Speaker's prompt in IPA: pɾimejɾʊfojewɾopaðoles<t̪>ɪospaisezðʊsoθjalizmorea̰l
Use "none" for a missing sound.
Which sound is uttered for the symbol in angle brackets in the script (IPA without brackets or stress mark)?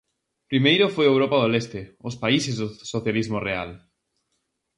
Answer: t̪